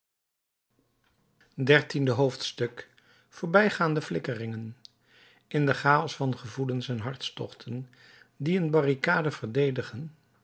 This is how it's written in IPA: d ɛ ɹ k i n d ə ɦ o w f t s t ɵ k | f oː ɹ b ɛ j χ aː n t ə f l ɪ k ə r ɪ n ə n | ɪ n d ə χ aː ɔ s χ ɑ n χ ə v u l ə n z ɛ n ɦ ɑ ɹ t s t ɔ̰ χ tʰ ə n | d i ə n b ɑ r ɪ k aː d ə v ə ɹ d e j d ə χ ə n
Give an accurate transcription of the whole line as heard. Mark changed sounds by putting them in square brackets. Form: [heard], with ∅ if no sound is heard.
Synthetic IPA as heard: d ɛ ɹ [t] i n d ə ɦ o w f t s t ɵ k | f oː ɹ b ɛ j χ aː n [d] ə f l ɪ k ə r ɪ [ŋ] ə n | ɪ n d ə χ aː ɔ s [f] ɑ n χ ə v u l ə n [s] ɛ n ɦ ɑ ɹ t s t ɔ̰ χ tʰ ə n | d i ə n b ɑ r [i] k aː d ə v ə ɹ d e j d ə χ ə n

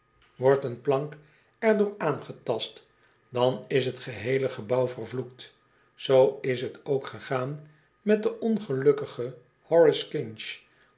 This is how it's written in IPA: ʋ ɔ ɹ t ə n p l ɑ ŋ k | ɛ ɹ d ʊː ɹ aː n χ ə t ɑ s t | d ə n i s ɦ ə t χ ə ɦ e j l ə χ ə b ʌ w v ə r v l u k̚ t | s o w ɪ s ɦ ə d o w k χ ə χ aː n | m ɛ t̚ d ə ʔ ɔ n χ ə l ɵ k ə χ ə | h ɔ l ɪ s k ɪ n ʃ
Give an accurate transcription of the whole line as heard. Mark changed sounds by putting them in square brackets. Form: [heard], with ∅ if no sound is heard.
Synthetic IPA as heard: ʋ ɔ ɹ t ə n p l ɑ ŋ k | ɛ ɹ d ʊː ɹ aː n χ ə t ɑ s t | d [ɑ] n [ɪ] s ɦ ə t χ ə ɦ e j l ə χ ə b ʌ w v ə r v l u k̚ t | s o w ɪ s ɦ ə [t] o w k χ ə χ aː n | m ɛ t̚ d ə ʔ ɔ n χ ə l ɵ k ə χ ə | h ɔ [ɹ] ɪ s k ɪ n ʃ

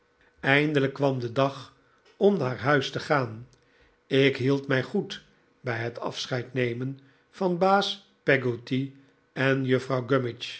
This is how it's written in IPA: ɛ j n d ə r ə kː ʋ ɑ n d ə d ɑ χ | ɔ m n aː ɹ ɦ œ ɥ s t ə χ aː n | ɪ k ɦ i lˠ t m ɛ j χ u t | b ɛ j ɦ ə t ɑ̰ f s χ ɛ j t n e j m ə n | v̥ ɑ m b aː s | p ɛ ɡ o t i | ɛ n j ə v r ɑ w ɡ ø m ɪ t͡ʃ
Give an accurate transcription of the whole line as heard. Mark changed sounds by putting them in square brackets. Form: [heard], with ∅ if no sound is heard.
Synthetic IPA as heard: ɛ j n d ə [l] ə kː ʋ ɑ [m] d ə d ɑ χ | ɔ m n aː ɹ ɦ œ ɥ s t ə χ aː n | ɪ k ɦ i lˠ t m ɛ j χ u t | b ɛ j ɦ ə t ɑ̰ f s χ ɛ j t n e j m ə n | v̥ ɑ [n] b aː s | p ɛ ɡ o t i | ɛ n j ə [f] r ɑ w ɡ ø m ɪ t͡ʃ

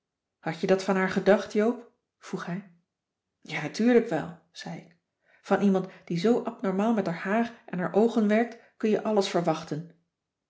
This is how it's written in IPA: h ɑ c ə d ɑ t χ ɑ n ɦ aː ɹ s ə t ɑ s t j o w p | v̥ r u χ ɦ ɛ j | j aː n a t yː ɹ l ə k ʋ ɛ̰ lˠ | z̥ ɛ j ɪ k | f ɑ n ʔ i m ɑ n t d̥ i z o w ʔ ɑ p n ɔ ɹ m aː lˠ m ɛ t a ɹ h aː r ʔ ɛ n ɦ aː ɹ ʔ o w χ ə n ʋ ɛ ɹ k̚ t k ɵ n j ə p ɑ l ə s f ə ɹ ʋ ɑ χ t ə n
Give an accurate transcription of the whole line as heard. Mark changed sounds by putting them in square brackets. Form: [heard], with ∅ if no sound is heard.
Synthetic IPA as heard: h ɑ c ə d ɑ t [f] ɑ n ɦ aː ɹ [χ] ə [d] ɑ [χ] t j o w p | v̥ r u χ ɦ ɛ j | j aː n a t yː ɹ l ə k ʋ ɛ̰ lˠ | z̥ ɛ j ɪ k | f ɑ n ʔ i m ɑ n t d̥ i z o w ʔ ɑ p n ɔ ɹ m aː lˠ m ɛ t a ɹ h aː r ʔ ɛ n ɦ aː ɹ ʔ o w χ ə n ʋ ɛ ɹ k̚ t k ɵ n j ə [ʔ] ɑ l ə s f ə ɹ ʋ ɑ χ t ə n

